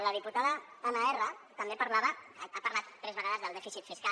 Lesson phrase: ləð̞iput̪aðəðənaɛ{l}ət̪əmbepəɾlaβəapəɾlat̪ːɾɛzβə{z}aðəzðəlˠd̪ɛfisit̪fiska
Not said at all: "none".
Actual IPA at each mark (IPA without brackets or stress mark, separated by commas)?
r, ɣ